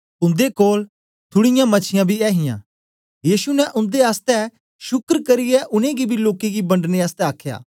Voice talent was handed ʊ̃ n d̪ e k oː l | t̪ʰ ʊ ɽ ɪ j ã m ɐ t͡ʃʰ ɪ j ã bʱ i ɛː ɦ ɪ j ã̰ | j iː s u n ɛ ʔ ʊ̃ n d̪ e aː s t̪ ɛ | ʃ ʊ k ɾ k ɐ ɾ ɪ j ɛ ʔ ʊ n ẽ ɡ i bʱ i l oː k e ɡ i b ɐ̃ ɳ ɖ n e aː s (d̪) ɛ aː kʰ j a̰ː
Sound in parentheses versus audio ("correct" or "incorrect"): incorrect